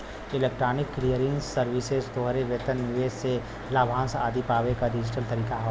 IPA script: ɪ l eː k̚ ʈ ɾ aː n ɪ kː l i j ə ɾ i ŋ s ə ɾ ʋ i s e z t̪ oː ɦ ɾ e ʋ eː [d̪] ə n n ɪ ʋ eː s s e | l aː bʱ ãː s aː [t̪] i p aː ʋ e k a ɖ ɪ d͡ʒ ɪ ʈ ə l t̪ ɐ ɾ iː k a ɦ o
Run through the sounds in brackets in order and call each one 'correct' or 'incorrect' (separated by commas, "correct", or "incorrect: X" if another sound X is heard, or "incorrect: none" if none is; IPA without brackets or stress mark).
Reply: incorrect: t̪, incorrect: d̪